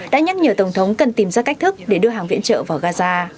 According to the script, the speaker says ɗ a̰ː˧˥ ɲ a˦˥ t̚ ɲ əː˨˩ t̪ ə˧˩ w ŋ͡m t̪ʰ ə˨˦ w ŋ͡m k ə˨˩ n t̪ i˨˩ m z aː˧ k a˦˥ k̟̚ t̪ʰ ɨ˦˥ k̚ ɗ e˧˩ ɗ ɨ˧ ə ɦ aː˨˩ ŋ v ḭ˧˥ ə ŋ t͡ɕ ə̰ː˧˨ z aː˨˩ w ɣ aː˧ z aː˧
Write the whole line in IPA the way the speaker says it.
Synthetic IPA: ɗ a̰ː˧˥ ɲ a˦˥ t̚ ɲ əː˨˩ t̪ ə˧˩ w ŋ͡m t̪ʰ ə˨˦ w ŋ͡m k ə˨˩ n t̪ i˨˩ m z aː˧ k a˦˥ k̟̚ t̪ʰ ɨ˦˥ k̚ ɗ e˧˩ ɗ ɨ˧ ə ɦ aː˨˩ ŋ v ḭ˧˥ ə n t͡ɕ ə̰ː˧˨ v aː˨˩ w ɣ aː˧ z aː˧